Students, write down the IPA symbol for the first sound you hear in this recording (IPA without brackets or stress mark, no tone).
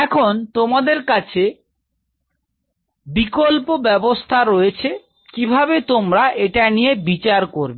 ɛ